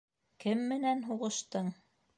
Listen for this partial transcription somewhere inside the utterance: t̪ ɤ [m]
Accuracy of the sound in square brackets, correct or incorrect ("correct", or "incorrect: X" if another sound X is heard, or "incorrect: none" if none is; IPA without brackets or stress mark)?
incorrect: ɴ